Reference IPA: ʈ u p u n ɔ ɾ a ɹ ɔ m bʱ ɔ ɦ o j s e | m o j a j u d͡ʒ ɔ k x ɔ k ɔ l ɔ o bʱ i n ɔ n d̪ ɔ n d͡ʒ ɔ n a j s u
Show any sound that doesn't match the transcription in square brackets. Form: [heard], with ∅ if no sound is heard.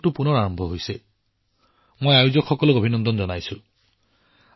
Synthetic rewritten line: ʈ u p u n ɔ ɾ a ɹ ɔ m bʱ ɔ ɦ o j s e | m o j a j u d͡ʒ ɔ k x ɔ k ɔ l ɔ o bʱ i n ɔ n d̪ ɔ n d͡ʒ ɔ n a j s u